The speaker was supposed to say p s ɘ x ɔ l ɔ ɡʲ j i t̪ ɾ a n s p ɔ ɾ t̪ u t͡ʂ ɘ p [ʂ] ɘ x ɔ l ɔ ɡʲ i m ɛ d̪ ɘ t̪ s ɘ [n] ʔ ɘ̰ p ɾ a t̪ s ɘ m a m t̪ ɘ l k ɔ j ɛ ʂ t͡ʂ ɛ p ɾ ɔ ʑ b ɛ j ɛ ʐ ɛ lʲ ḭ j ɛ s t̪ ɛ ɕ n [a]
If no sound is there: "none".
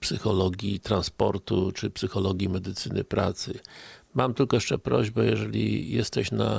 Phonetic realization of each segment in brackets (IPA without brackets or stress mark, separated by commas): s, n, a